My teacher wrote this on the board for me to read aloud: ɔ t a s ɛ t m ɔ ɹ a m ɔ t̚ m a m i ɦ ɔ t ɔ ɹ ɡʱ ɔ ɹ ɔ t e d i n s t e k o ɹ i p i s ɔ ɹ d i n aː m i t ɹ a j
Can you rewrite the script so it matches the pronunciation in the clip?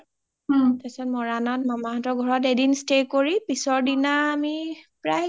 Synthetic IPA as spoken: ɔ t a s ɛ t m ɔ ɹ a n ɔ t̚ m a m a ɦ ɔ t ɔ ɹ ɡʱ ɔ ɹ ɔ t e d i n s t e k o ɹ i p i s ɔ ɹ d i n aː m i p ɹ a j